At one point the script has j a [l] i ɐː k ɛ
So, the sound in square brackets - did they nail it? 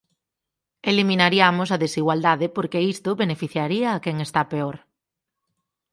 no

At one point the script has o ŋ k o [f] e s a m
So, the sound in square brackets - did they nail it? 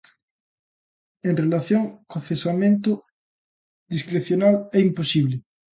no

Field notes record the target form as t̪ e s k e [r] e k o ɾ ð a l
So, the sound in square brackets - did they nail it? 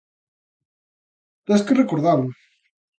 yes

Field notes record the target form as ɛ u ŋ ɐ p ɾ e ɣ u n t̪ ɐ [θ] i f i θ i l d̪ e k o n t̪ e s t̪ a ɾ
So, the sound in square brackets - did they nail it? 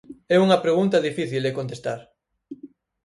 no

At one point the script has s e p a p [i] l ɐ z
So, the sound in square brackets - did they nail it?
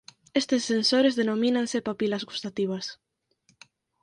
yes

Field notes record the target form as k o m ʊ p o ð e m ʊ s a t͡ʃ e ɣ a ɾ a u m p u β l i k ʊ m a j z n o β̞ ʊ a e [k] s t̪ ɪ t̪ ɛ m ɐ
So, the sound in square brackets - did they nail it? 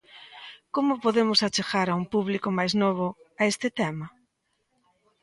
no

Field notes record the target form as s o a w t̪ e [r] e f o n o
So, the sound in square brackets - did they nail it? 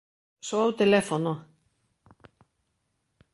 no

